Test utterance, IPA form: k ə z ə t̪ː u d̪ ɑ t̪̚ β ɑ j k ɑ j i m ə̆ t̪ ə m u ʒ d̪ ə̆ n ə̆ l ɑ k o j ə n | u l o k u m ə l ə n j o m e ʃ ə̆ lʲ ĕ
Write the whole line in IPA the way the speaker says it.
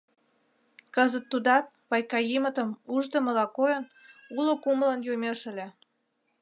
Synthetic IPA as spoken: k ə z ə t̪ː u d̪ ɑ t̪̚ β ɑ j k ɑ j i m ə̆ t̪ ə m u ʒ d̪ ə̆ m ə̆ l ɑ k o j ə n | u l o k u m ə l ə n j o m e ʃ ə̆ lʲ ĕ